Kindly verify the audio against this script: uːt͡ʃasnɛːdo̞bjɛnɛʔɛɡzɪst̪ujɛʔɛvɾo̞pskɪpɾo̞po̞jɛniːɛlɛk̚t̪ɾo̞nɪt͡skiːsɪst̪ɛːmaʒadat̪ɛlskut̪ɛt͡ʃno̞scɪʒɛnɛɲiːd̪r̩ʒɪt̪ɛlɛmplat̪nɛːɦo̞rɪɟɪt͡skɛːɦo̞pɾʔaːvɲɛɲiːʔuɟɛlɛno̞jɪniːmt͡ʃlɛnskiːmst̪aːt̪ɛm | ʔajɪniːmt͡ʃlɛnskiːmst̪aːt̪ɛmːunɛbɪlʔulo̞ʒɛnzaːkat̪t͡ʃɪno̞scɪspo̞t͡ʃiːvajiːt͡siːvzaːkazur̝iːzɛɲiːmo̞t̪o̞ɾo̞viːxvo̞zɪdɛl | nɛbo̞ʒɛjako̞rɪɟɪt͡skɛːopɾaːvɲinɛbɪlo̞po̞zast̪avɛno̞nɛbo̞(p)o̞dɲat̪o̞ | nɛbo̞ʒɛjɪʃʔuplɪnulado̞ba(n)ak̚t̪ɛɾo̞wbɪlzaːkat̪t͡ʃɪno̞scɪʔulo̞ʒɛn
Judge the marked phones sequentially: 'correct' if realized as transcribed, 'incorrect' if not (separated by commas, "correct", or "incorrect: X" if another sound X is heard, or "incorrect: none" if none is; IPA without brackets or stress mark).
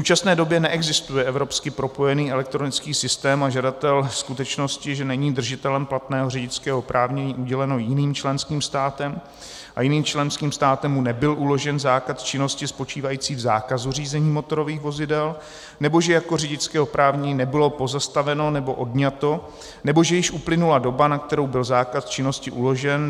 incorrect: ʔ, correct